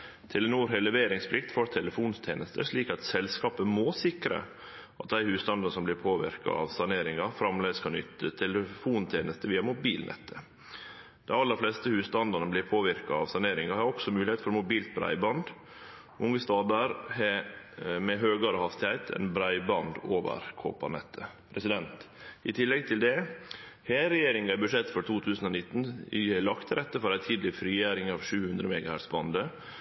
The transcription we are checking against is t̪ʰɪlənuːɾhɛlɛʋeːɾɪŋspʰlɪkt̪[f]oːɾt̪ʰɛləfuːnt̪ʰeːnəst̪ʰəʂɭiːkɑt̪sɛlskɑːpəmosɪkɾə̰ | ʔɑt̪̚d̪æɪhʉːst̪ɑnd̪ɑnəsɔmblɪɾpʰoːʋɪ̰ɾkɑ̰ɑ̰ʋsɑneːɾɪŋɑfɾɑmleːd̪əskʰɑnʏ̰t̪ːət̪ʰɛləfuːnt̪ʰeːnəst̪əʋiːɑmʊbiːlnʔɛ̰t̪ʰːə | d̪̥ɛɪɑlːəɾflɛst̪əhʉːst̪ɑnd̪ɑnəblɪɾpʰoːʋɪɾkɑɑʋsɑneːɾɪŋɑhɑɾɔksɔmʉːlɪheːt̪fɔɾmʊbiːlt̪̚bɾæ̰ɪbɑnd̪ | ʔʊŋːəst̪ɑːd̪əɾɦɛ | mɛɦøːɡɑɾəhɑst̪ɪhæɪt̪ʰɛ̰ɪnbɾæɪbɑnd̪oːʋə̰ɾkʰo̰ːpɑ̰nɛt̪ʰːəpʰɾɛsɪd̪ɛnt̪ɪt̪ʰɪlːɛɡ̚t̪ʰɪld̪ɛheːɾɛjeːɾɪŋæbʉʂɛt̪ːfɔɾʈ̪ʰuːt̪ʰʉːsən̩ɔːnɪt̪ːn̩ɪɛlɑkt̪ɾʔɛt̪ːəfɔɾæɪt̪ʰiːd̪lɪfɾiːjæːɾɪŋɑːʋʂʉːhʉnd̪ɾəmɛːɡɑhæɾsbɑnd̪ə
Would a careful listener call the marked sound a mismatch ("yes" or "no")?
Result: no